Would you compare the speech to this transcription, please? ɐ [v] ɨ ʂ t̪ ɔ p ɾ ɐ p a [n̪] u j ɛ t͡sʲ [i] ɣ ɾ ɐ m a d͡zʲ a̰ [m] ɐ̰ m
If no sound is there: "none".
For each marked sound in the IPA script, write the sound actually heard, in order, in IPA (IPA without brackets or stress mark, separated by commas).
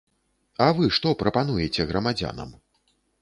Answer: v, n̪, ɛ, n